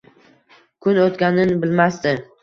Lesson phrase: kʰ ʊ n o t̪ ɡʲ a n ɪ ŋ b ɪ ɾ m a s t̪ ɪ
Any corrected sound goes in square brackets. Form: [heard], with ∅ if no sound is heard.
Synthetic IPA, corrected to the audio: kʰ ʊ n o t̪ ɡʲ a n ɪ [n] b ɪ [l] m a s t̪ ɪ